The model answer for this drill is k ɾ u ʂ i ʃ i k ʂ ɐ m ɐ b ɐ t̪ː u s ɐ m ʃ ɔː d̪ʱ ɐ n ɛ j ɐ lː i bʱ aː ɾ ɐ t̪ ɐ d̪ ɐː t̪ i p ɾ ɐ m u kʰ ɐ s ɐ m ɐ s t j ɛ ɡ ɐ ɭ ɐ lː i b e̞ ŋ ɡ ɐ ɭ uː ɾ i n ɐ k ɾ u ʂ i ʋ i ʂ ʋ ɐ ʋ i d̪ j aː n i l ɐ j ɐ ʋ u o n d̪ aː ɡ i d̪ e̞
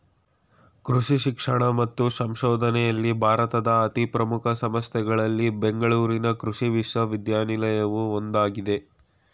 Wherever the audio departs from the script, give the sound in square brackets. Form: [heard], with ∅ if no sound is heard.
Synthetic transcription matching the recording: k ɾ u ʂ i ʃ i k ʂ ɐ [ɳ] ɐ [m] ɐ t̪ː u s ɐ m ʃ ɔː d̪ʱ ɐ n ɛ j ɐ lː i bʱ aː ɾ ɐ t̪ ɐ d̪ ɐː t̪ i p ɾ ɐ m u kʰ ɐ s ɐ m ɐ s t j ɛ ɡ ɐ ɭ ɐ lː i b e̞ ŋ ɡ ɐ ɭ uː ɾ i n ɐ k ɾ u ʂ i ʋ i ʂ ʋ ɐ ʋ i d̪ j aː n i l ɐ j ɐ ʋ u o n d̪ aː ɡ i d̪ e̞